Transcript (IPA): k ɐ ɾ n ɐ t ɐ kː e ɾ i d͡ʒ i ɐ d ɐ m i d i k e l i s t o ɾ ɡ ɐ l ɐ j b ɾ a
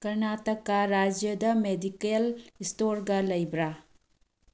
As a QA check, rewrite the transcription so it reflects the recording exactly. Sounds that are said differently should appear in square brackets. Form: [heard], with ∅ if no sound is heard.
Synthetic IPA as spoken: k ɐ ɾ n [a] t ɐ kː [a] ɾ [a] d͡ʒ [j] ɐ d ɐ m [e] d i k e l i s t o ɾ ɡ ɐ l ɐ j b ɾ a